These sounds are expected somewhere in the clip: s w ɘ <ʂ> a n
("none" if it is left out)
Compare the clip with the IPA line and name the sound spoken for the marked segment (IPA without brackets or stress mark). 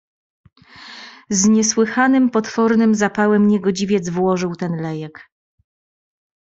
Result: x